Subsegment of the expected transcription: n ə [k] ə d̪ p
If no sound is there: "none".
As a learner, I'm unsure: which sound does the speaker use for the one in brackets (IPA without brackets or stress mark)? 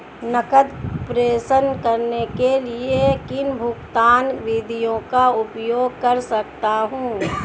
k